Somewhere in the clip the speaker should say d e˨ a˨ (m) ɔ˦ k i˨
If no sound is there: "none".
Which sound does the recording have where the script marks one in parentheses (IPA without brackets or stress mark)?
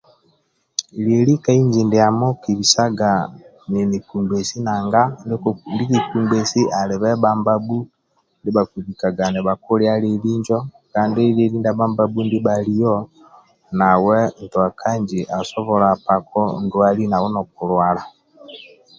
m